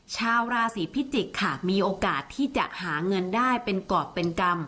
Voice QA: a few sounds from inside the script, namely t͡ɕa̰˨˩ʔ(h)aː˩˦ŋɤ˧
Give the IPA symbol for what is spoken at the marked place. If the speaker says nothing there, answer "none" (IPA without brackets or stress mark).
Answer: h